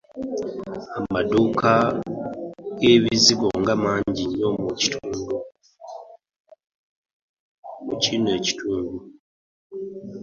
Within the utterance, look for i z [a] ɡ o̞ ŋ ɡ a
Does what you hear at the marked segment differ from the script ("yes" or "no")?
yes